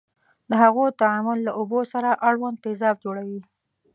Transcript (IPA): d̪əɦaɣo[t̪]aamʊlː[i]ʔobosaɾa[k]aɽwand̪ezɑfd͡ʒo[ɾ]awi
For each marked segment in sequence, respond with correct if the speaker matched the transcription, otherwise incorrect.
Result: correct, incorrect: a, incorrect: ʔ, incorrect: ɽ

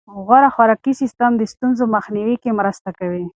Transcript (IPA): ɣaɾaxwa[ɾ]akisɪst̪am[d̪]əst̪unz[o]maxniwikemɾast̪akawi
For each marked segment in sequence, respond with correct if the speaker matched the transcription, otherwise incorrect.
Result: correct, correct, correct

